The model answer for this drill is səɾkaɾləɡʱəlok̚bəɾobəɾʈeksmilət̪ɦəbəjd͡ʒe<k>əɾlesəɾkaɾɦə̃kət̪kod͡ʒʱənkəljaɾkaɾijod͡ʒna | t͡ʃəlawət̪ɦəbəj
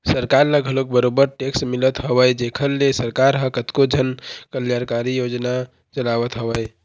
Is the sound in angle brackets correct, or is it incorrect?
incorrect